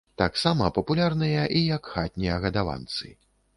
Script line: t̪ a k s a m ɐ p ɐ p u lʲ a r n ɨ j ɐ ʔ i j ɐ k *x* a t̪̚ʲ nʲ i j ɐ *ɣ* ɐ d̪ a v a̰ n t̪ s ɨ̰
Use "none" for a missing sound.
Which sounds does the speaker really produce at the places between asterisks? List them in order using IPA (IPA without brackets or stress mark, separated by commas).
x, ɣ